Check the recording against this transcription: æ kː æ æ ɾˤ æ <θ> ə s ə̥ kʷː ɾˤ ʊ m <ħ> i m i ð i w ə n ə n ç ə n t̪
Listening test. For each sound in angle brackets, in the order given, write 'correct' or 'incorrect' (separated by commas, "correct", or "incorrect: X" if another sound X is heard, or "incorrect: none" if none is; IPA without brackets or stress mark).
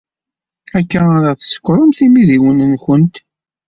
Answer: correct, incorrect: θ